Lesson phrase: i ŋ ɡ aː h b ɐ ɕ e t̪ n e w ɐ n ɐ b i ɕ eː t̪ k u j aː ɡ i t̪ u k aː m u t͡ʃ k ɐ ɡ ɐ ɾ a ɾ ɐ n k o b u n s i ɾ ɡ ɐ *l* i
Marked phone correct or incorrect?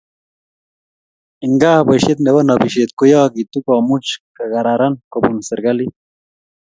correct